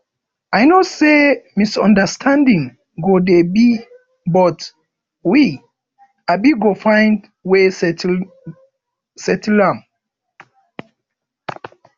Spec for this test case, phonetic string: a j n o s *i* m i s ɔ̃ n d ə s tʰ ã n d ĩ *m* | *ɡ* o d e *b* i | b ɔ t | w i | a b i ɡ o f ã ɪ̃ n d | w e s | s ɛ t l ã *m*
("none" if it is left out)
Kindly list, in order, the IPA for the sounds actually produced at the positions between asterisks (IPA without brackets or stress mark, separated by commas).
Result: e, ŋ, ɡ, b, m